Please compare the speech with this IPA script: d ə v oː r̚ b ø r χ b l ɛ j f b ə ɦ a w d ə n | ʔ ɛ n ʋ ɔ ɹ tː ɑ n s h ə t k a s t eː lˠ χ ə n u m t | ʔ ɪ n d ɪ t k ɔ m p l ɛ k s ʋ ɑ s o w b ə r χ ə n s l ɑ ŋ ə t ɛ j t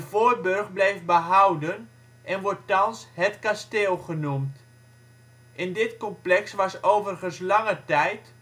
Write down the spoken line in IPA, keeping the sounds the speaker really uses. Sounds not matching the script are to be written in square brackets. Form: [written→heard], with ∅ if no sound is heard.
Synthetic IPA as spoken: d ə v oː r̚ b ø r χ b l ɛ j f b ə ɦ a w d ə n | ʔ ɛ n ʋ ɔ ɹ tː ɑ n s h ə t k a s t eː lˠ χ ə n u m t | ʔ ɪ n d ɪ t k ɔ m p l ɛ k s ʋ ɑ s o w [b→v] ə r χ ə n s l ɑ ŋ ə t ɛ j t